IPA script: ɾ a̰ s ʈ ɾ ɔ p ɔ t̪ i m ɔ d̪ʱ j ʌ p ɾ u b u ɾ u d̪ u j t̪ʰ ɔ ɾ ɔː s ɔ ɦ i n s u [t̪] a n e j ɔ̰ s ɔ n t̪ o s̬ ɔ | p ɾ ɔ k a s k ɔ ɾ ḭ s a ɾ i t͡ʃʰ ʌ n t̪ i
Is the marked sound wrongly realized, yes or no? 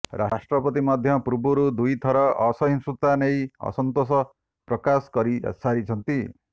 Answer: no